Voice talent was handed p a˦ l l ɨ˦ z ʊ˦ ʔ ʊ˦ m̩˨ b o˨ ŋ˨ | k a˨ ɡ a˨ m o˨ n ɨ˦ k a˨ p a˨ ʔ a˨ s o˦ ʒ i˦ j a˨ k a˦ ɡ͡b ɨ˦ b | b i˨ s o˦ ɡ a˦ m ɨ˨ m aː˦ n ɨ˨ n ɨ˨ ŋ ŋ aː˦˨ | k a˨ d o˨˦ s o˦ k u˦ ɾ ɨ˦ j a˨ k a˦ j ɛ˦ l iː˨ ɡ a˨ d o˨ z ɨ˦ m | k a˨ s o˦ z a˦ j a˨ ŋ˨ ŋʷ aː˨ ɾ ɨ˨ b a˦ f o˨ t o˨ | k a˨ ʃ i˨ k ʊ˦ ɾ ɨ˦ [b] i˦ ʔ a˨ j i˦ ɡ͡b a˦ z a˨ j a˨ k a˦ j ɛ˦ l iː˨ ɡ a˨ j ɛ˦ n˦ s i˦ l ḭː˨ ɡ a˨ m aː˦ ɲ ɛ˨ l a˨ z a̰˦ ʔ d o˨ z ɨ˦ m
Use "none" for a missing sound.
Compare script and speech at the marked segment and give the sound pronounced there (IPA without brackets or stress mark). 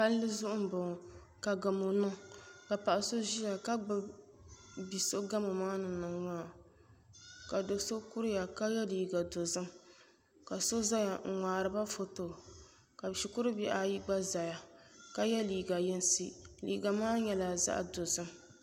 b